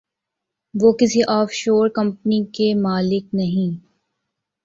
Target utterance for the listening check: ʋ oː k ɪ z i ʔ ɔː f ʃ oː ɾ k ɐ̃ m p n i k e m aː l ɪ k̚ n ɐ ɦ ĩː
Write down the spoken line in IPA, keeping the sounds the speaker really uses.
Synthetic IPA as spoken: ʋ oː k ɪ s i ʔ ɔː f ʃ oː ɾ k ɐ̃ m p n i k e m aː l ɪ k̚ n ɐ ɦ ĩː